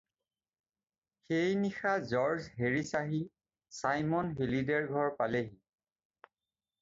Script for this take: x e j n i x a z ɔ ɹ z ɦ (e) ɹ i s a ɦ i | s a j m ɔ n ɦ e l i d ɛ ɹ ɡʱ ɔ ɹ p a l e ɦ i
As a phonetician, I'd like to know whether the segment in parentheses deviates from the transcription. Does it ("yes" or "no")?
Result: no